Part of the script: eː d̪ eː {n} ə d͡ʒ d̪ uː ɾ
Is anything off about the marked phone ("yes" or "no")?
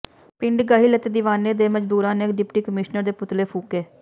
yes